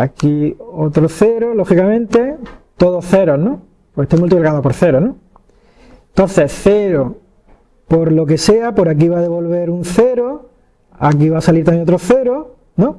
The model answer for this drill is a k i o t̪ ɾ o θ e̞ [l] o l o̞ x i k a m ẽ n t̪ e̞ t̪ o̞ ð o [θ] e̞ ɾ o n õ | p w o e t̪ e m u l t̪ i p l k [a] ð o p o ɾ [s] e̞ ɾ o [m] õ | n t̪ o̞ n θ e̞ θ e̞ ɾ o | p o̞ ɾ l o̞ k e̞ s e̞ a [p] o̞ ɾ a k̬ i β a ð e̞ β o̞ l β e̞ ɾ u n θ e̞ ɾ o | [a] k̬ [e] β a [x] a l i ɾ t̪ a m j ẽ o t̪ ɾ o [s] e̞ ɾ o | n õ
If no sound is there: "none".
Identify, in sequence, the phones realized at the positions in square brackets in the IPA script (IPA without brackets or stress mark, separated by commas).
ɾ, θ, a, θ, n, p, a, i, s, θ